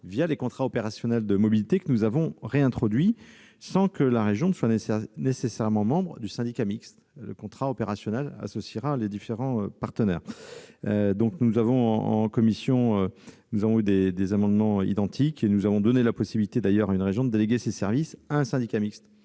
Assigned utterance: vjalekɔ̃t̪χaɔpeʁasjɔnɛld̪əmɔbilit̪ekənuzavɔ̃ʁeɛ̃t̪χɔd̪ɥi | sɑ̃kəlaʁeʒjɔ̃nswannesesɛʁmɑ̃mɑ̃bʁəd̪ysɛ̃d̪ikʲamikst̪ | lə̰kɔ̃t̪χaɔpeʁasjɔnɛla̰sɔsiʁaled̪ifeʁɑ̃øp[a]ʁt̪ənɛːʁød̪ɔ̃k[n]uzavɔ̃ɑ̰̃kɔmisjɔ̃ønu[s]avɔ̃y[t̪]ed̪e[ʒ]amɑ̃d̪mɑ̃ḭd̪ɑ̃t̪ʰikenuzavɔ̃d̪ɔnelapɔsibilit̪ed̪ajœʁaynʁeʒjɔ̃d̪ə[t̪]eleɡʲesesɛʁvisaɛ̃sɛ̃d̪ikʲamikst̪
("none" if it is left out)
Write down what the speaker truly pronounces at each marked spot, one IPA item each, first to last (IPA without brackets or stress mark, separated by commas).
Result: a, n, z, d̪, z, d̪